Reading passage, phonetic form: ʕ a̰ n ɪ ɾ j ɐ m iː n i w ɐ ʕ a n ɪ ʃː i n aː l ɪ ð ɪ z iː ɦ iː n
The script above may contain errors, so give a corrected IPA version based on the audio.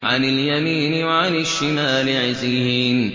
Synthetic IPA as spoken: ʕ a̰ n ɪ l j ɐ m iː n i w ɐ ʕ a n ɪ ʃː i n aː l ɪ ʕ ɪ z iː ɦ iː n